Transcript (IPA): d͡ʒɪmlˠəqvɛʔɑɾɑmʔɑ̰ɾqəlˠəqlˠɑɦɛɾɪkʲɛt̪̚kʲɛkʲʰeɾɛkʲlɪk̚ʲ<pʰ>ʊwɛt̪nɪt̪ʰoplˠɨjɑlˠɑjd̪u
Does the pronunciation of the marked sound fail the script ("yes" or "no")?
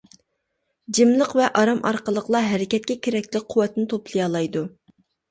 yes